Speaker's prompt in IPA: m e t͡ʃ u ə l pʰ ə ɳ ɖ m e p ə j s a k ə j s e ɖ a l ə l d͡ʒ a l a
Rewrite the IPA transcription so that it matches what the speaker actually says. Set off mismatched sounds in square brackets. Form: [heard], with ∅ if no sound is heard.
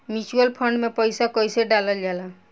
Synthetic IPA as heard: m [i] t͡ʃ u ə l pʰ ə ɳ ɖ m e p ə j s a k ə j s e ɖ a l ə l d͡ʒ a l a